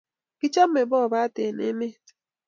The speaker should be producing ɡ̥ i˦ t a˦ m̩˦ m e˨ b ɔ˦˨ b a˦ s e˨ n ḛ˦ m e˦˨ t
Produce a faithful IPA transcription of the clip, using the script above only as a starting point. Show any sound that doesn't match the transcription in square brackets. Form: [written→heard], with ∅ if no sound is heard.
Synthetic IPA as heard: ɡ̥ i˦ [t→t͡ʃ] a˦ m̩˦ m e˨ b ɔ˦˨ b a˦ [s→t] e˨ n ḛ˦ m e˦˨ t